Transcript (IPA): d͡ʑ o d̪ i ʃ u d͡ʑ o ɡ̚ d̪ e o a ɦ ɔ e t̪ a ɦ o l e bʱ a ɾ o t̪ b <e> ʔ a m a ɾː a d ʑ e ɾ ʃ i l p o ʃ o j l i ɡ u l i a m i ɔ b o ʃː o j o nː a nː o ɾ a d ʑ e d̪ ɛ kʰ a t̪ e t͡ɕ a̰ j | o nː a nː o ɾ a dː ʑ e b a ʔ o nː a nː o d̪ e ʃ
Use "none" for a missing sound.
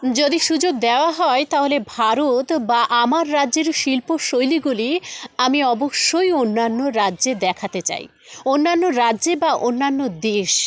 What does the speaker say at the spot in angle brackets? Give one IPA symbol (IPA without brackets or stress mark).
a